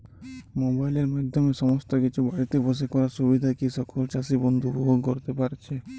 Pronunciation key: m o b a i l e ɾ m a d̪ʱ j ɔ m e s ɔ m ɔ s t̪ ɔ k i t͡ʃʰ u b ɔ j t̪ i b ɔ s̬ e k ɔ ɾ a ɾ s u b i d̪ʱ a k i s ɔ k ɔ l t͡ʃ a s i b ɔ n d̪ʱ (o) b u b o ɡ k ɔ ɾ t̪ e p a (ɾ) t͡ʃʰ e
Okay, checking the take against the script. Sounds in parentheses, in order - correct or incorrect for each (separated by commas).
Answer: incorrect, correct